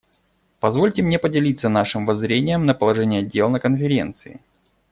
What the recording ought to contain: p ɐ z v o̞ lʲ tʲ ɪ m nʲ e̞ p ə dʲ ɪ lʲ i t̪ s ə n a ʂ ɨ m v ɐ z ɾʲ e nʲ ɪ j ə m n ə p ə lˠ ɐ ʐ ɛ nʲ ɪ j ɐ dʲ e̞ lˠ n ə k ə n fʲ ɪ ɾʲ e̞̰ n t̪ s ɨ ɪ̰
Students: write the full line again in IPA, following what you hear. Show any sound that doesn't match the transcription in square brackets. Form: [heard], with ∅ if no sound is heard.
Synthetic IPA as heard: p ɐ z v o̞ lʲ tʲ ɪ m nʲ e̞ p ə dʲ ɪ lʲ i t̪ s ə n a ʂ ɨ m v ɐ z ɾʲ e nʲ ɪ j ə m n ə p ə lˠ ɐ ʐ ɛ nʲ ɪ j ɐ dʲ e̞ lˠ n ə k ə n fʲ ɪ ɾʲ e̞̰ n t̪ s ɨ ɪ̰